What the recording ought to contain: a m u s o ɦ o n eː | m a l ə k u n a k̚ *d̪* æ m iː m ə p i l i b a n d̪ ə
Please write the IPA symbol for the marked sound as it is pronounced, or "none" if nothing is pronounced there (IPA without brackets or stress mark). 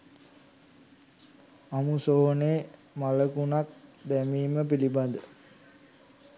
d̪